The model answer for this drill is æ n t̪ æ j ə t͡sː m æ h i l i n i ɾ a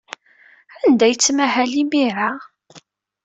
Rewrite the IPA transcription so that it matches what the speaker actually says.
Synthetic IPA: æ n d̪ æ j ə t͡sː m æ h æ l i m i ɾ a